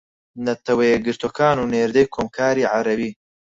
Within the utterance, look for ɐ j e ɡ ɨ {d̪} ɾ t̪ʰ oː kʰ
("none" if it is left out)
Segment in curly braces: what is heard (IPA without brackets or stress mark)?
none